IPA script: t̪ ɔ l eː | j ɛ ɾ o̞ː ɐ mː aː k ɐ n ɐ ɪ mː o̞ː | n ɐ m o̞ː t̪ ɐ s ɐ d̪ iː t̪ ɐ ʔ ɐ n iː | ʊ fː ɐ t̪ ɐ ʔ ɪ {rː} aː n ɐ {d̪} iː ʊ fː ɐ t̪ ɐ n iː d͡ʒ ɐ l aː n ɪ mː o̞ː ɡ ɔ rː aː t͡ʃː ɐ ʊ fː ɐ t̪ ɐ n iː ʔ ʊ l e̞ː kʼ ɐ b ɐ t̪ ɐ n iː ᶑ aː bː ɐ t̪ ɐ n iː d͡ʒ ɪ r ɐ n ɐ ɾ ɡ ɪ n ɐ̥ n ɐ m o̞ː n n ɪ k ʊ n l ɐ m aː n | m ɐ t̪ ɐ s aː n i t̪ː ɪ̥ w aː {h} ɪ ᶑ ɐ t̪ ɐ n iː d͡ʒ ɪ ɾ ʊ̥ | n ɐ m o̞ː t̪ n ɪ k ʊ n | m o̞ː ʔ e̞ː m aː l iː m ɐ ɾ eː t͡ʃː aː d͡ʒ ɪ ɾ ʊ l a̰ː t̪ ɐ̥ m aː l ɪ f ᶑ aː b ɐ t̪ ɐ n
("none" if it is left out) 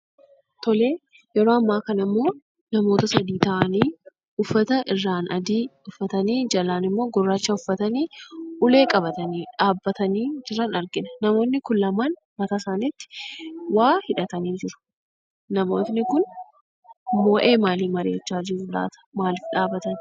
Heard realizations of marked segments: rː, d̪, h

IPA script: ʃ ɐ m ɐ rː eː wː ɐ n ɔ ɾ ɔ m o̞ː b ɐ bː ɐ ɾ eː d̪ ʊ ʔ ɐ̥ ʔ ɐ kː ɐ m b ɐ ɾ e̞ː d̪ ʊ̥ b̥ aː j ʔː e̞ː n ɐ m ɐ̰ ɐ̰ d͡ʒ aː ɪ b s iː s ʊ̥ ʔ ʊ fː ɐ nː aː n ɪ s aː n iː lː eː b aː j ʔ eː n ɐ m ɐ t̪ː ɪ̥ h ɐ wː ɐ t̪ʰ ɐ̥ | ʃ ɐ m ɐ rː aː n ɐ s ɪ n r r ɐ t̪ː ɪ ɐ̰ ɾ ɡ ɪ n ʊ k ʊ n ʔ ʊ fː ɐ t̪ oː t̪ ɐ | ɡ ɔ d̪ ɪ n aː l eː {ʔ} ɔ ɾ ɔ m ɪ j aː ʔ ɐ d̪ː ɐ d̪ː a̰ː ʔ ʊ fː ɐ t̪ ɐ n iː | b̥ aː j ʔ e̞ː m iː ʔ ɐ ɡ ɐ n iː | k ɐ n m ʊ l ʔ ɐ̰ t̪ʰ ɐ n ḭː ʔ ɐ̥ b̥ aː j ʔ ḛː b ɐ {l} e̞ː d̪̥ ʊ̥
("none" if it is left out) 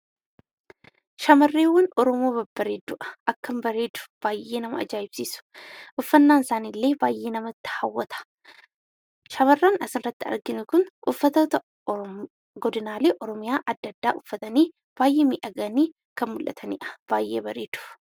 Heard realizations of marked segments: ʔ, ɾ

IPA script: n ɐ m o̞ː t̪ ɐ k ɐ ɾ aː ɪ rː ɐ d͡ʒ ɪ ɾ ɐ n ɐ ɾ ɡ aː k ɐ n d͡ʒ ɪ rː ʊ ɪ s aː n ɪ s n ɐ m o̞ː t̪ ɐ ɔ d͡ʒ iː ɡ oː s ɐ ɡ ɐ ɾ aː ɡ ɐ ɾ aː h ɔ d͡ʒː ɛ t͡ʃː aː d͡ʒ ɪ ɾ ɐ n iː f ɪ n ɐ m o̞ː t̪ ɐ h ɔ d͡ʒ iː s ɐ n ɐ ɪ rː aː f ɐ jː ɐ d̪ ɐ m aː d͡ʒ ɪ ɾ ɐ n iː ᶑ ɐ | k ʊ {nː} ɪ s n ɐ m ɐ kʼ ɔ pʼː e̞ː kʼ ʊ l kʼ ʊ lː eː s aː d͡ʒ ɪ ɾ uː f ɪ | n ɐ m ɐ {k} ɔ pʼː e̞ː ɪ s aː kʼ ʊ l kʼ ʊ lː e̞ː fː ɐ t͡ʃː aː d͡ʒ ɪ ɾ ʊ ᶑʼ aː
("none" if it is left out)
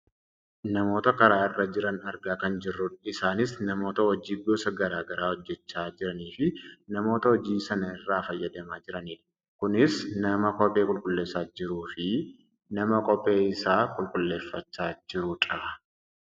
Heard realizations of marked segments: n, kʼ

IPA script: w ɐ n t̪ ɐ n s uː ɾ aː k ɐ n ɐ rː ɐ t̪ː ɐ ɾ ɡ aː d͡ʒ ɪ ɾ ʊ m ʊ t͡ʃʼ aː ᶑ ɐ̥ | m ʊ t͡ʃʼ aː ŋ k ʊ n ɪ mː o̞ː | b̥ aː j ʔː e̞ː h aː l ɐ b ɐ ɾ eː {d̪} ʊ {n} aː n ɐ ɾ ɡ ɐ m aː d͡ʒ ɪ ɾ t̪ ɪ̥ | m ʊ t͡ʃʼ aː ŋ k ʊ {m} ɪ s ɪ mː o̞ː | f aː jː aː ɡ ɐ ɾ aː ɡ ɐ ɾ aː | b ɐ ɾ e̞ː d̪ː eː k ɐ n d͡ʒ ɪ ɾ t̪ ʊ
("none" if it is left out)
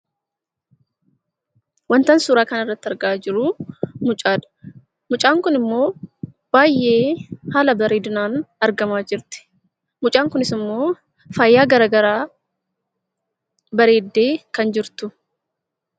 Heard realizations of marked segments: d̪, n, n

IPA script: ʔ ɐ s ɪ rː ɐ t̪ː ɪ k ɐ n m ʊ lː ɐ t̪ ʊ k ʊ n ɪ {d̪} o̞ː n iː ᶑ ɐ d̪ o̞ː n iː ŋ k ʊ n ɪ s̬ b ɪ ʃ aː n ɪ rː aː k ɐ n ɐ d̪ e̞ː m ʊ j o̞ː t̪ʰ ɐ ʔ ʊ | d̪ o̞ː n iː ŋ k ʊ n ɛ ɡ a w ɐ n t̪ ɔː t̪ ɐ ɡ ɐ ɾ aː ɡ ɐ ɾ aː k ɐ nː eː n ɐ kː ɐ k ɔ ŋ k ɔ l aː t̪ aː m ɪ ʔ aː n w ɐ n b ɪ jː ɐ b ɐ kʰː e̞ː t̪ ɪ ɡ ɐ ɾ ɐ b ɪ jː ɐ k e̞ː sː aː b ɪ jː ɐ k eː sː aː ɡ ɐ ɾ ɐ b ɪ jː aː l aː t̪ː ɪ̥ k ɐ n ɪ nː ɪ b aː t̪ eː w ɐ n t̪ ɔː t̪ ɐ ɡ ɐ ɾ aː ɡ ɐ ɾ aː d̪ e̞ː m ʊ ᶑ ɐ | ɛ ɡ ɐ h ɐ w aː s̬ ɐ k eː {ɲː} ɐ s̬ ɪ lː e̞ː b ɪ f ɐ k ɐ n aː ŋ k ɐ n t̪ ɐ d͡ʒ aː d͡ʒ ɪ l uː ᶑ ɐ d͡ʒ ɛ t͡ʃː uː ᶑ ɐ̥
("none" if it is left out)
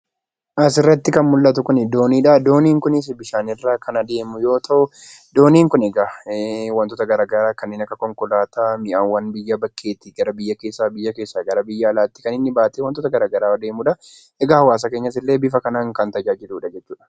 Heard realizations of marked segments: d̪, ɲː

